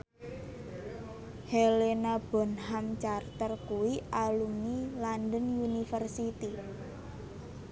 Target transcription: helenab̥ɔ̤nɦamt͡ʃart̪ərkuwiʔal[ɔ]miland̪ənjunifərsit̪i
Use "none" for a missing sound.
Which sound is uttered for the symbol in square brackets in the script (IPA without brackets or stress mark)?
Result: u